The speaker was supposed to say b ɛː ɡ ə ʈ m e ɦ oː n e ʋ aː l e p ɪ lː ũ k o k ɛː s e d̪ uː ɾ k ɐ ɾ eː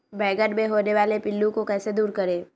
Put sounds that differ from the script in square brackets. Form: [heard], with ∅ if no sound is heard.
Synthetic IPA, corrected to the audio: b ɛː ɡ ə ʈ m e ɦ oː n e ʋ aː l e p ɪ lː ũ k o k ɛː s e d̪ uː ɾ k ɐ ɾ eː